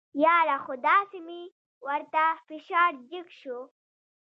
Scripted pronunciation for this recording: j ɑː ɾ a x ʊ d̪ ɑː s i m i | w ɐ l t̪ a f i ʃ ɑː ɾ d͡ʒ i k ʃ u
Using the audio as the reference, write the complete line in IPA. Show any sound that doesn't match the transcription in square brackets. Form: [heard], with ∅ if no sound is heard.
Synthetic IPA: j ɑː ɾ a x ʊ d̪ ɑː s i m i | w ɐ [ɾ] t̪ a f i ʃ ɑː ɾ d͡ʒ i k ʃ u